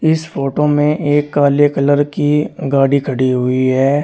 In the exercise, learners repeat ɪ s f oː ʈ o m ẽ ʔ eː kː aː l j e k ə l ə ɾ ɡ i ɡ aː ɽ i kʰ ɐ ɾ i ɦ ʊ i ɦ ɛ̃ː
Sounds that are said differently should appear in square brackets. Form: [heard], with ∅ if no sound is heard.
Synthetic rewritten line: ɪ s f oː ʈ o m ẽ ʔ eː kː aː l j e k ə l ə ɾ [k] i ɡ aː ɽ i kʰ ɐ [ɽ] i ɦ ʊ i ɦ [ɛː]

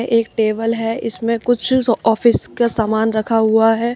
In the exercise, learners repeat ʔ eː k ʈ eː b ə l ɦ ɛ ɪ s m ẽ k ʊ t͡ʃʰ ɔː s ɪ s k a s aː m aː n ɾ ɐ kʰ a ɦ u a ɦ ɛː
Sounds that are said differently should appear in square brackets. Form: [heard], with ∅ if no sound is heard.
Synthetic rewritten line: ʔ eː k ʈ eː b ə l ɦ ɛ ɪ s m ẽ k ʊ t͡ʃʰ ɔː [f] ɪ s k a s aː m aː n ɾ ɐ kʰ a ɦ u a ɦ ɛː

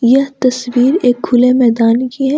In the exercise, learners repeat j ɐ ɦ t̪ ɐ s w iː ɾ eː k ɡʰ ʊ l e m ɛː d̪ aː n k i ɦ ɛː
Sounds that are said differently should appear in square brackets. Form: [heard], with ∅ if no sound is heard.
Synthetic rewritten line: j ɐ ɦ t̪ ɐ s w iː ɾ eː k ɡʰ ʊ l e m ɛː d̪ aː n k i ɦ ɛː

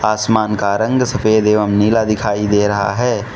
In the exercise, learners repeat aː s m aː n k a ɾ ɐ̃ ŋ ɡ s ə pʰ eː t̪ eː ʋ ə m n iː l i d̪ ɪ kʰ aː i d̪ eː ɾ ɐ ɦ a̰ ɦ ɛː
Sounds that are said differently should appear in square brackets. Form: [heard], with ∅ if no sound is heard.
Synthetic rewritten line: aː s m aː n k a ɾ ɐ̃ ŋ ɡ s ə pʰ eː [d̪] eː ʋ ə m n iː l [a] d̪ ɪ kʰ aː i d̪ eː ɾ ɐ ɦ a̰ ɦ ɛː

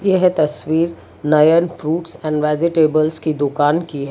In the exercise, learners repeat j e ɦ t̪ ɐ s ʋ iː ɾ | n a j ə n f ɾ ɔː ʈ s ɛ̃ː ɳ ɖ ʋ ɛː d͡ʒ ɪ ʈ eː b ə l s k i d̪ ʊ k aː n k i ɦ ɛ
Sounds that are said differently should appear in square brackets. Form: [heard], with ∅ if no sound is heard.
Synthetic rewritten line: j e ɦ t̪ ɐ s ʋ iː ɾ | n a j ə n f ɾ [uː] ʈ s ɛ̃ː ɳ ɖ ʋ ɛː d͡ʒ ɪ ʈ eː b ə l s k i d̪ ʊ k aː n k i ɦ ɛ

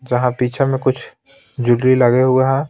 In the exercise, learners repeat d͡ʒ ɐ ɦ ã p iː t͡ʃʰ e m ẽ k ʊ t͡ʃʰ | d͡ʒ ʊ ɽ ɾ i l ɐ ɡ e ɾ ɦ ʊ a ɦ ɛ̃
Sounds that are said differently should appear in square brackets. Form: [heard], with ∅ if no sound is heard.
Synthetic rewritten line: d͡ʒ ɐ ɦ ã p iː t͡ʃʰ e m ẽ k ʊ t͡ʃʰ | d͡ʒ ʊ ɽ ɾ i l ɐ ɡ e [∅] ɦ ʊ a ɦ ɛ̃

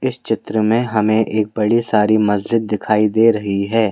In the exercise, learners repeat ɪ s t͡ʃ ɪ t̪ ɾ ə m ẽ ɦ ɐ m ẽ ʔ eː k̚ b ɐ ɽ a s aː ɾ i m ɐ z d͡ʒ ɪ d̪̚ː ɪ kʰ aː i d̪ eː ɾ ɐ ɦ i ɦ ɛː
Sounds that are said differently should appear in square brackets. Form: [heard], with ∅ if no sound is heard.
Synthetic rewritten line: ɪ s t͡ʃ ɪ t̪ ɾ ə m ẽ ɦ ɐ m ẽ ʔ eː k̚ b ɐ ɽ [i] s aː ɾ i m ɐ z d͡ʒ ɪ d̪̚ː ɪ kʰ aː i d̪ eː ɾ ɐ ɦ i ɦ ɛː

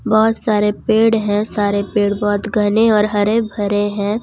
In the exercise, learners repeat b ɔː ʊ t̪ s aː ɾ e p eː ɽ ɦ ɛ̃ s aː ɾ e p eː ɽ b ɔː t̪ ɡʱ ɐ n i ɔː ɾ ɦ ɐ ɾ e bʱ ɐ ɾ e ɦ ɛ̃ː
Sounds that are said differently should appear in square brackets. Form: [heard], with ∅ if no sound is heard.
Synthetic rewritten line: b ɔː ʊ t̪ s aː ɾ e p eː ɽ ɦ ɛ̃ s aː ɾ e p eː ɽ b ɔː t̪ ɡʱ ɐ n [e] ɔː ɾ ɦ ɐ ɾ e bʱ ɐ ɾ e ɦ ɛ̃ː

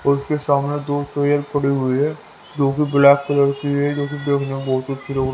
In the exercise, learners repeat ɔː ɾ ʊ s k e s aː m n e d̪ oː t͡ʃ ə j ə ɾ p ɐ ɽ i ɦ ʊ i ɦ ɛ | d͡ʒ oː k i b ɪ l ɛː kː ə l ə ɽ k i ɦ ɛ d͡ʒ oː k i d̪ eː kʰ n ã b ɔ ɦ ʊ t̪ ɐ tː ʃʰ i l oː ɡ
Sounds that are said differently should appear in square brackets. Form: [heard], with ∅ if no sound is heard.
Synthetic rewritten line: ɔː ɾ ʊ s k e s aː m n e d̪ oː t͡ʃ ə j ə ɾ p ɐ ɽ i ɦ ʊ i ɦ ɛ | d͡ʒ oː k i b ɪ l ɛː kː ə l ə [ɾ] k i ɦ ɛ d͡ʒ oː k i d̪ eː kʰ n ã b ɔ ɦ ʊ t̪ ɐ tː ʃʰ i l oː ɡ

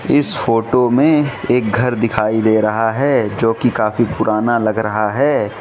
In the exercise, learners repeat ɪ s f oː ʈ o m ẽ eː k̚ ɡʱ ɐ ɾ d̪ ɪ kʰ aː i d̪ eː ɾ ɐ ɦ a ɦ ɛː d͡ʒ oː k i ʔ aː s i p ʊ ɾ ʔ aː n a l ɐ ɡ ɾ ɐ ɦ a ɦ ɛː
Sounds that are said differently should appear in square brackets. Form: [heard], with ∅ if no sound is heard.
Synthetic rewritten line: ɪ s f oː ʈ o m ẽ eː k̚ ɡʱ ɐ ɾ d̪ ɪ kʰ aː i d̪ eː ɾ ɐ ɦ a ɦ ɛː d͡ʒ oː k i [k] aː [f] i p ʊ ɾ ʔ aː n a l ɐ ɡ ɾ ɐ ɦ a ɦ ɛː

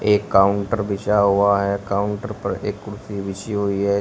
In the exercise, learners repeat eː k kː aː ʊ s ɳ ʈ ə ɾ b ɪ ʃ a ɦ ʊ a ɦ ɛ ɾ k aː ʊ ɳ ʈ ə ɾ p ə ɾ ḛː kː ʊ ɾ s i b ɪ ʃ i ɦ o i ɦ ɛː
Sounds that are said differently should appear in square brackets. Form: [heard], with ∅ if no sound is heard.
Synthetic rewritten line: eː k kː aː ʊ [∅] ɳ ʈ ə ɾ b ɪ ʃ a ɦ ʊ a ɦ ɛ [∅] k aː ʊ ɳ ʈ ə ɾ p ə ɾ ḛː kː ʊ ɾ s i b ɪ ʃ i ɦ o i ɦ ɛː

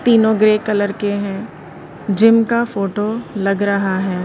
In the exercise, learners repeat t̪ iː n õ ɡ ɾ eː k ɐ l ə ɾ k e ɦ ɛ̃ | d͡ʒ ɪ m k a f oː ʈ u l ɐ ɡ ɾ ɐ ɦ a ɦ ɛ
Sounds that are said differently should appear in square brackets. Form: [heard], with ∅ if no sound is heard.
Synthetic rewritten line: t̪ iː n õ ɡ ɾ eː k ɐ l ə ɾ k e ɦ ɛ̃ | d͡ʒ ɪ m k a f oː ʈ [o] l ɐ ɡ ɾ ɐ ɦ a ɦ [ɛː]

